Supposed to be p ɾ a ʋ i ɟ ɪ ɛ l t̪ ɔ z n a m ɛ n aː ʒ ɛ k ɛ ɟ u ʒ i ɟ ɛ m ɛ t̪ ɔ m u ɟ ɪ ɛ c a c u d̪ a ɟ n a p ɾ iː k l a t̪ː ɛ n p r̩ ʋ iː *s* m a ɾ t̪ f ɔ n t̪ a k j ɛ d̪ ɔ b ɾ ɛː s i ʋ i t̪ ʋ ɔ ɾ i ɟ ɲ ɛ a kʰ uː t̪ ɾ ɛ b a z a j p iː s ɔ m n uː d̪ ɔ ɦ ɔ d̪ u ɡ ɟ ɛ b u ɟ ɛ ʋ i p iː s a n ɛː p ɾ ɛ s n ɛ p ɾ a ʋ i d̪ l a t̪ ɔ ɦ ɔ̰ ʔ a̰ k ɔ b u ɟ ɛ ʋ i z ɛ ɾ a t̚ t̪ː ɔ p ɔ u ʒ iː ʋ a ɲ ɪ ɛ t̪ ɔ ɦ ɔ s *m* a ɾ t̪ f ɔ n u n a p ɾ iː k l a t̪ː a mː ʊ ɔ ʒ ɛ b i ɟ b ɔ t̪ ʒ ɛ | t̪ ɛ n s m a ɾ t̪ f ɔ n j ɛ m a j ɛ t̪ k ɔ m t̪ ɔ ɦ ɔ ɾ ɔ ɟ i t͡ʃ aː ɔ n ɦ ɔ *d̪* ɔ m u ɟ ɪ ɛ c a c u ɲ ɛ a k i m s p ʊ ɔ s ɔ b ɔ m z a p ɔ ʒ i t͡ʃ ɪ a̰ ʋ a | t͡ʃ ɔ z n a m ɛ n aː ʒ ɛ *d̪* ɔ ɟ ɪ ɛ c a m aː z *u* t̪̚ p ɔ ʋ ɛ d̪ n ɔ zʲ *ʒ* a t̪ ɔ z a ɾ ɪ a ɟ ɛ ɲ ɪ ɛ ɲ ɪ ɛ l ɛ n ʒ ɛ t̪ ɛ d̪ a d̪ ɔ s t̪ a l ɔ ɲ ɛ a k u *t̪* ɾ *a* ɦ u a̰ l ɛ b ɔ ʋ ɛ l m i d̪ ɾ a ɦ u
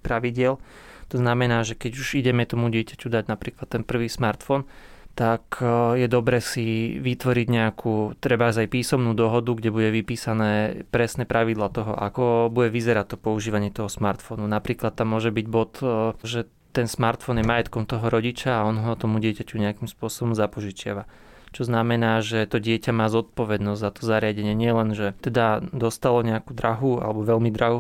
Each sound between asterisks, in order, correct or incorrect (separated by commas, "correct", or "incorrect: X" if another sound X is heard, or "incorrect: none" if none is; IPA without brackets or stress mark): correct, correct, incorrect: t̪, incorrect: t̪, incorrect: ɔ, incorrect: z, incorrect: d̪, correct